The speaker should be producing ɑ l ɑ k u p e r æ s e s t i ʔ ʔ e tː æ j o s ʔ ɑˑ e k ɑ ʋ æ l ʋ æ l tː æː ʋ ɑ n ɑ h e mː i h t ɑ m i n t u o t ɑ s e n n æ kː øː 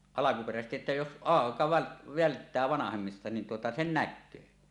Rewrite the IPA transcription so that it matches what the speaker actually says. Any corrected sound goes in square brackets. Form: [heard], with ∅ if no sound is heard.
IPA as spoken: ɑ l ɑ k u p e r æ s e s t i ʔ ʔ e tː æ j o s ʔ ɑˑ e k ɑ ʋ æ l ʋ æ l tː æː ʋ ɑ n ɑ h e mː i [s] t ɑ [n] i n t u o t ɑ s e n n æ kː øː